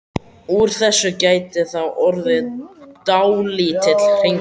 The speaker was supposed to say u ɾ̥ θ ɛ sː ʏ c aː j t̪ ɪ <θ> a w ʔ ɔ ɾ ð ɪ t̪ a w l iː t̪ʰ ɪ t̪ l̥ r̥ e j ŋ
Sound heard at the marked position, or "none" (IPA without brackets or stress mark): θ